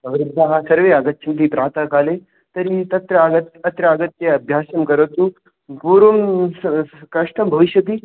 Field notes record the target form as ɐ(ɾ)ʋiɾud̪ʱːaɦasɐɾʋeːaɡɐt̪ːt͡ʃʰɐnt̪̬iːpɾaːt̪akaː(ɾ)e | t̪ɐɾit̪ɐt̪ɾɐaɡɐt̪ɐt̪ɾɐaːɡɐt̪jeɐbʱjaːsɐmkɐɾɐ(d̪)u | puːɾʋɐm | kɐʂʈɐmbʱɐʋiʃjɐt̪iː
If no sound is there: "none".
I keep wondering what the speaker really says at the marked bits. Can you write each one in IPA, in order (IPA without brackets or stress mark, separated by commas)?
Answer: none, l, t̪